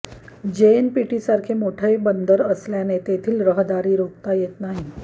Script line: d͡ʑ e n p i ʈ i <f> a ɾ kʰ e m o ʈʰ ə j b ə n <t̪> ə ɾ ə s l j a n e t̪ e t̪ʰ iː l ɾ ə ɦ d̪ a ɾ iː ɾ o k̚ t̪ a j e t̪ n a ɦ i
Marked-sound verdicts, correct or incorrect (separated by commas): incorrect, incorrect